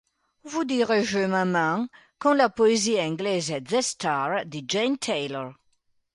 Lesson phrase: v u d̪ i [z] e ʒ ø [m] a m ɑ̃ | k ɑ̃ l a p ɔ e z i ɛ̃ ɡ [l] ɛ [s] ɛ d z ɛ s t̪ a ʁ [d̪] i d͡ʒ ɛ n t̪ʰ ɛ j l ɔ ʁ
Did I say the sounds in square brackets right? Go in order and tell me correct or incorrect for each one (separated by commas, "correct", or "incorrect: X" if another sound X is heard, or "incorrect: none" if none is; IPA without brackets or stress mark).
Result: incorrect: ʁ, correct, correct, incorrect: z, correct